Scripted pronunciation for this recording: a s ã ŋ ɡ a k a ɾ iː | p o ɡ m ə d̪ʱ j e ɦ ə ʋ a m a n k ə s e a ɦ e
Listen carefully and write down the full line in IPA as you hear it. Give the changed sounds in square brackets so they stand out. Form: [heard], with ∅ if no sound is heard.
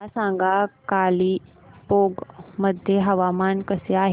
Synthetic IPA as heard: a s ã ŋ ɡ a k a [l] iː | p o ɡ m ə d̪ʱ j e ɦ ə ʋ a m a n k ə s e a ɦ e

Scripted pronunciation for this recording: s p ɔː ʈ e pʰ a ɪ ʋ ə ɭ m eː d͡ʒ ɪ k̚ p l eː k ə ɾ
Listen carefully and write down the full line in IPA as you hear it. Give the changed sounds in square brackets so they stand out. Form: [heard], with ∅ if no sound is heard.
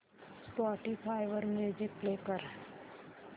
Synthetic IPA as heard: s p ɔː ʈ [i] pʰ a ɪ ʋ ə [ɾ] m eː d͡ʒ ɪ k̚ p l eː k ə ɾ

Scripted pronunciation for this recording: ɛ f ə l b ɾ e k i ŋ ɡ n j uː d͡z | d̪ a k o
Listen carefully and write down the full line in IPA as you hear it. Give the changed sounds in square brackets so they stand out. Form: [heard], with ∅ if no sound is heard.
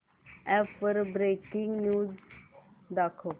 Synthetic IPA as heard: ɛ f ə [ɾ] b ɾ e k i ŋ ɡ n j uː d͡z | d̪ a [kʰ] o

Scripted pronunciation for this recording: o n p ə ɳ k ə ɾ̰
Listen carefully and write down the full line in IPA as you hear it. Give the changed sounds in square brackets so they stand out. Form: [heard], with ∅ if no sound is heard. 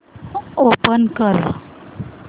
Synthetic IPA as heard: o [∅] p ə [n] k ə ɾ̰

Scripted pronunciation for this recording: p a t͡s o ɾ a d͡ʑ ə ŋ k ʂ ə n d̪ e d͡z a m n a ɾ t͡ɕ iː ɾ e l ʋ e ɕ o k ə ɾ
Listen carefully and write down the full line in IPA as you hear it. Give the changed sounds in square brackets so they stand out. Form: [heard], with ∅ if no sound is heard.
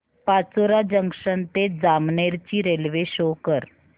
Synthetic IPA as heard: p a t͡s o ɾ a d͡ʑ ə ŋ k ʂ ə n [t̪] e d͡z a m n [e] ɾ t͡ɕ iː ɾ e l ʋ e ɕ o k ə ɾ

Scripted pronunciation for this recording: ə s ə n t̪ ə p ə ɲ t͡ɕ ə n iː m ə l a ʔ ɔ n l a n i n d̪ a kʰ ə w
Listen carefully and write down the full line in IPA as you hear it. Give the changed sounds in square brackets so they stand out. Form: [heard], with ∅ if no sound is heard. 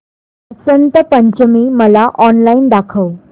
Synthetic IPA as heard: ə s ə n t̪ ə p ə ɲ t͡ɕ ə [m] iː m ə l a ʔ ɔ n l a [∅] i n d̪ a kʰ ə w

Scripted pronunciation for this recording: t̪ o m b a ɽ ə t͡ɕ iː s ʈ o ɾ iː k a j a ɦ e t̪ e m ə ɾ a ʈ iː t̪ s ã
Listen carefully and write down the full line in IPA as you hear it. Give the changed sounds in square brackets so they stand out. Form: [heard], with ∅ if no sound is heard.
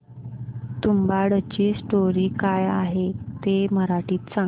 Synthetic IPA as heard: t̪ [u] m b a ɽ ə t͡ɕ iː s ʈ o ɾ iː k a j a ɦ e t̪ e m ə ɾ a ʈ iː t̪ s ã

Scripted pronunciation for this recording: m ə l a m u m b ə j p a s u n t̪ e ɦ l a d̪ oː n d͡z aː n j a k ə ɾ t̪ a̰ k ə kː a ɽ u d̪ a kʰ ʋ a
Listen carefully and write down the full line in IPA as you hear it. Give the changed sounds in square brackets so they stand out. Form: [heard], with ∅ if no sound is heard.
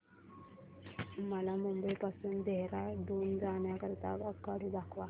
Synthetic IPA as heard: m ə l a m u m b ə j p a s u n [d̪] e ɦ [ɾ] a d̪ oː n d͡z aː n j a k ə ɾ t̪ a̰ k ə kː a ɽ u d̪ a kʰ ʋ a

